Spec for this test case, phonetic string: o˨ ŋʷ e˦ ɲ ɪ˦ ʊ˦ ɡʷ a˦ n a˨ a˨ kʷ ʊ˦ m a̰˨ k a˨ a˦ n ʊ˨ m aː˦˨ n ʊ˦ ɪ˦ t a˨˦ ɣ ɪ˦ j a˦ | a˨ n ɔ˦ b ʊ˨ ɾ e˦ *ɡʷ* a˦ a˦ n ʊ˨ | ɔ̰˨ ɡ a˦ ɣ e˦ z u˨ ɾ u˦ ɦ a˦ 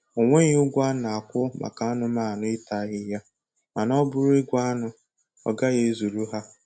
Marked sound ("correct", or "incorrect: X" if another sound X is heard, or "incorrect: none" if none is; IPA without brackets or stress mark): correct